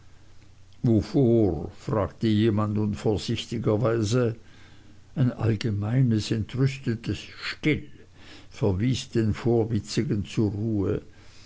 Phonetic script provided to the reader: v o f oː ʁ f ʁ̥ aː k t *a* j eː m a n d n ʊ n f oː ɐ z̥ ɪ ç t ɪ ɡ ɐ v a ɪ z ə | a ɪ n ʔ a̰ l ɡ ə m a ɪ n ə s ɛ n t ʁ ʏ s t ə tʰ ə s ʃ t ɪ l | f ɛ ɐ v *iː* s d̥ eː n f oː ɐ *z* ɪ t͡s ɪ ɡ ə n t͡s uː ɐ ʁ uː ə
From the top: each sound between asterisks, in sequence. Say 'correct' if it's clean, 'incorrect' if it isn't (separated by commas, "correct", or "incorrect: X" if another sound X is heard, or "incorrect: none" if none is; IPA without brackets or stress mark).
incorrect: ə, correct, incorrect: v